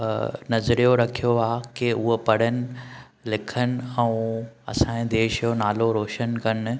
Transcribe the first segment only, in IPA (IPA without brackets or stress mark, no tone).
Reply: n